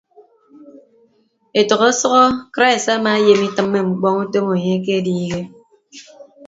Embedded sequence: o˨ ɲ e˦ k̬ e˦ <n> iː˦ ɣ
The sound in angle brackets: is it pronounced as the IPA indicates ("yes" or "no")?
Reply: no